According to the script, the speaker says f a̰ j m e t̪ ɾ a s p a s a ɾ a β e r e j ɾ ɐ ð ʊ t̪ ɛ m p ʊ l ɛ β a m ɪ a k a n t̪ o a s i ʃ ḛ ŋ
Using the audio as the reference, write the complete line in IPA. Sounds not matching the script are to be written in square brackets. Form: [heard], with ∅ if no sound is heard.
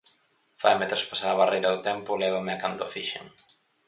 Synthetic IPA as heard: f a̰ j m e t̪ ɾ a s p a s a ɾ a β [a] r e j ɾ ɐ ð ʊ t̪ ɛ m p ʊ l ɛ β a m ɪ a k a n [d̪] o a [f] i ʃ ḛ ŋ